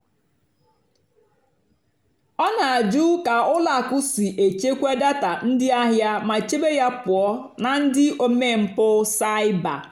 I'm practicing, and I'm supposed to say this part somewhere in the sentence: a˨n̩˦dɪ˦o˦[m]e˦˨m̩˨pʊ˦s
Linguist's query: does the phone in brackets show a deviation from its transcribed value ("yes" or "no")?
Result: no